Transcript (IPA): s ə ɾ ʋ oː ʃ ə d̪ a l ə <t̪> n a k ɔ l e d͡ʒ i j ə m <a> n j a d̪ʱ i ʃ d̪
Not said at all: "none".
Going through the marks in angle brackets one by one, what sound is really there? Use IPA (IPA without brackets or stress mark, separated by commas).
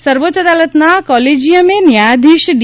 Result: t̪, e